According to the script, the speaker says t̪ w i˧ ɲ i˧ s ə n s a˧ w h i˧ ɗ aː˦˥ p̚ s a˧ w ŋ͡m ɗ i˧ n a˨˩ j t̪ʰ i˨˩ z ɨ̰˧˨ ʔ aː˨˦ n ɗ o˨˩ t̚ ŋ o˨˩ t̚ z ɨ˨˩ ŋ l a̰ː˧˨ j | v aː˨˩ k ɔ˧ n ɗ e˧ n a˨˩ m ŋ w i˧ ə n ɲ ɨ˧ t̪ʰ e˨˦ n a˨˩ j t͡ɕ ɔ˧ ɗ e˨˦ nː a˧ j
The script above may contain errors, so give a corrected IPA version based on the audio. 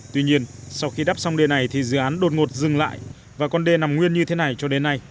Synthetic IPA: t̪ w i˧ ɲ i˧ ə n s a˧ w x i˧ ɗ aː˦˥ p̚ s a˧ w ŋ͡m ɗ e˧ n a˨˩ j t̪ʰ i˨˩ z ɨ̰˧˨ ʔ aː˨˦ n ɗ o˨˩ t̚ ŋ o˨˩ t̚ z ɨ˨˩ ŋ l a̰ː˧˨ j | v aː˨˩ k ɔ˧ n ɗ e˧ n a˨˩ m ŋ w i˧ ə n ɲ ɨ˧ t̪ʰ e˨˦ n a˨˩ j t͡ɕ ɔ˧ ɗ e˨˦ nː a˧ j